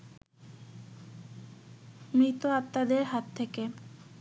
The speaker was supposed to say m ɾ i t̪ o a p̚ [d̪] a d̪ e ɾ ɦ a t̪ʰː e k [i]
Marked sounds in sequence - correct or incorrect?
incorrect: t̪, incorrect: e

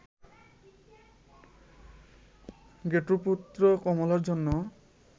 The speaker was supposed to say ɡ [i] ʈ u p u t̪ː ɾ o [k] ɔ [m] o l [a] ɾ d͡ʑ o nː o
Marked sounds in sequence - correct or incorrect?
incorrect: e, correct, correct, correct

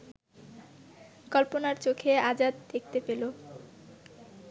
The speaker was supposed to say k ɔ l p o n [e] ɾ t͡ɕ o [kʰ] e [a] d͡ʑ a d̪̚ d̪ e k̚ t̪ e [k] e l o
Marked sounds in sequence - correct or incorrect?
incorrect: a, correct, correct, incorrect: p

